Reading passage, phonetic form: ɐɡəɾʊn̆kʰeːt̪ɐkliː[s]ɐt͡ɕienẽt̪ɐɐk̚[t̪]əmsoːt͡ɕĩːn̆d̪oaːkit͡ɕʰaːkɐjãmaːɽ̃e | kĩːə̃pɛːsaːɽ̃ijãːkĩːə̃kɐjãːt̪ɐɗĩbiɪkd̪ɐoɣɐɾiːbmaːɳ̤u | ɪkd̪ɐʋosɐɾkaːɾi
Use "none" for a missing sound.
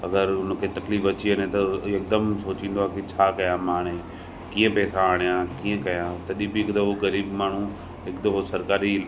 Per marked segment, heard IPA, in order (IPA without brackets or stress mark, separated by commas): f, d̪